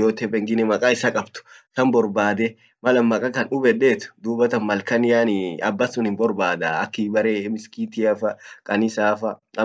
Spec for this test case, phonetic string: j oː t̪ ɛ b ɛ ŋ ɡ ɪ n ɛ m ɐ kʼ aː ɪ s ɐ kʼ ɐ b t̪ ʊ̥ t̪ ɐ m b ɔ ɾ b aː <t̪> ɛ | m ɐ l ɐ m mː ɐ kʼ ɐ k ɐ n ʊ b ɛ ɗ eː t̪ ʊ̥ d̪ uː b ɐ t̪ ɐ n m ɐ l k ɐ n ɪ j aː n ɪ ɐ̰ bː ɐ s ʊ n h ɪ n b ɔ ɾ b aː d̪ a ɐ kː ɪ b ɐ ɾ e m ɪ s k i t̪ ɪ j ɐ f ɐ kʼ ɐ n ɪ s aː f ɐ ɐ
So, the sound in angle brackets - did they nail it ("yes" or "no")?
no